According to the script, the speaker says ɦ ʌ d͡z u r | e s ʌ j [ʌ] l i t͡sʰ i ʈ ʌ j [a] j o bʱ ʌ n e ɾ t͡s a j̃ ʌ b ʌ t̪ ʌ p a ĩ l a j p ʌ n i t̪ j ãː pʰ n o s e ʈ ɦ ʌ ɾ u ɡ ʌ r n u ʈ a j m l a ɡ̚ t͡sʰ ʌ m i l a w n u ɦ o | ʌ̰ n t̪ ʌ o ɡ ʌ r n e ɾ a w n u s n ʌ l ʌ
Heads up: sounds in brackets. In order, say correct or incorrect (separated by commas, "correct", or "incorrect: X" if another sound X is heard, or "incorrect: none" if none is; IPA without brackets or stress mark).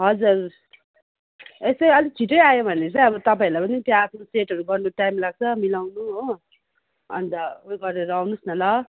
correct, correct